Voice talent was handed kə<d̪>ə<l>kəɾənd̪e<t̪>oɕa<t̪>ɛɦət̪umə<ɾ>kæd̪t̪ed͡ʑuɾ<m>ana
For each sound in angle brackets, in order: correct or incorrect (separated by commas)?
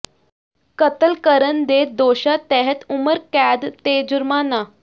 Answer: incorrect, correct, incorrect, correct, correct, correct